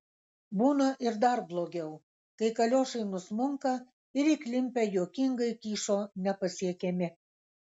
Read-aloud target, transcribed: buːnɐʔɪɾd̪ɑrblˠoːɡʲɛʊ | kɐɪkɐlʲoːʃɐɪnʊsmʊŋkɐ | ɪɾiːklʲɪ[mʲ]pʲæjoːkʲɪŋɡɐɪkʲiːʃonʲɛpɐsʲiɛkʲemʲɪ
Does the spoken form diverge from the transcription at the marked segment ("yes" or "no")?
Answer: no